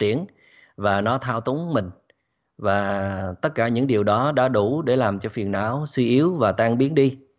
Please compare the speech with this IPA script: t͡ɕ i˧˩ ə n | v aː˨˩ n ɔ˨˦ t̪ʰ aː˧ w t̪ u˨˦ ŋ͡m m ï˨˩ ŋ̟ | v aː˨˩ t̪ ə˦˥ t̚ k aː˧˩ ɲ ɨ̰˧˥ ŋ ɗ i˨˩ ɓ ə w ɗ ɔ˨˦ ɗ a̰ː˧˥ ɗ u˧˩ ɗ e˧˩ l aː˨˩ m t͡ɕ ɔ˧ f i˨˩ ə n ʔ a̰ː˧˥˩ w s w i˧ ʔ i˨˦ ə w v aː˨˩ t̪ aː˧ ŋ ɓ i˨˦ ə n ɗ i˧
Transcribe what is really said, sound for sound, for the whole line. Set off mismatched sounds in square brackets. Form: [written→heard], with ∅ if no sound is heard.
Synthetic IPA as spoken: t͡ɕ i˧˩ ə n | v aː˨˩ n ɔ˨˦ t̪ʰ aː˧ w t̪ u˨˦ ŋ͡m m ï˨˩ ŋ̟ | v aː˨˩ t̪ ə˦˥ t̚ k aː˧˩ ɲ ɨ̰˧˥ ŋ ɗ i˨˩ [ɓ→∅] ə w ɗ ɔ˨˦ ɗ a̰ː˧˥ ɗ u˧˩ ɗ e˧˩ l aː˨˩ m t͡ɕ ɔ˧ f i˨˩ ə n ʔ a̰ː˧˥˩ w s w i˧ ʔ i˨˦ ə w v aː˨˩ t̪ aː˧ ŋ ɓ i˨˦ ə n ɗ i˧